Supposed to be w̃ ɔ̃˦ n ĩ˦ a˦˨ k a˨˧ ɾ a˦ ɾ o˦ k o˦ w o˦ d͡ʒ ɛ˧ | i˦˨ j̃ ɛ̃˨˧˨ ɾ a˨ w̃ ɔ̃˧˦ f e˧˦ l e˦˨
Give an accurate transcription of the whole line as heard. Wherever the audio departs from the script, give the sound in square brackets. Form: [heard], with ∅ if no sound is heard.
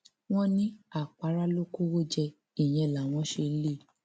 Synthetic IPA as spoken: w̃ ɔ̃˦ n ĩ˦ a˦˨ [k͡p] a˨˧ ɾ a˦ [l] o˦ k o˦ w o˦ d͡ʒ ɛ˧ | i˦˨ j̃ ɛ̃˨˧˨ [l] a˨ w̃ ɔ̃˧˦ [ʃ] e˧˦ l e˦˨